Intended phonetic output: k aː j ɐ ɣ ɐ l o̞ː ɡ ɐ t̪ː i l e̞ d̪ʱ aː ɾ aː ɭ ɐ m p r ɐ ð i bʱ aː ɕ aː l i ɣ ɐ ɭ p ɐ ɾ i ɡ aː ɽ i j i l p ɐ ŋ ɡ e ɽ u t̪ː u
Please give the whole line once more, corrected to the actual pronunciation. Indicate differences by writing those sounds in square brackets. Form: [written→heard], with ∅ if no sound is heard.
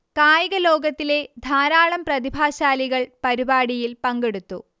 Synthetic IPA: k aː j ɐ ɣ ɐ l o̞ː ɡ ɐ t̪ː i l e̞ d̪ʱ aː ɾ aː ɭ ɐ m p r ɐ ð i bʱ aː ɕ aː l i ɣ ɐ ɭ p ɐ ɾ i [ɡ→b] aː ɽ i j i l p ɐ ŋ ɡ e ɽ u t̪ː u